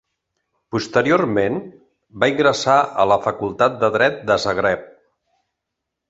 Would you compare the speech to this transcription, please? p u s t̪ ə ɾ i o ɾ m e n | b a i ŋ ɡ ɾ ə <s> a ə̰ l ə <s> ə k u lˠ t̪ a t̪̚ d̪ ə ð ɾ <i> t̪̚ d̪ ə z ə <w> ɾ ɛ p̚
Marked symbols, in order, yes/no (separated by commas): yes, no, no, no